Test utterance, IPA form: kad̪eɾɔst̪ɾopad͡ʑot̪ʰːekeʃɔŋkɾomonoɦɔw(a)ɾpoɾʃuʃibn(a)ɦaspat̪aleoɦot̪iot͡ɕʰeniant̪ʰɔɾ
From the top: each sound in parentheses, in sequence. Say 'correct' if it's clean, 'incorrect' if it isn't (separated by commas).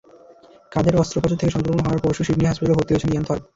correct, incorrect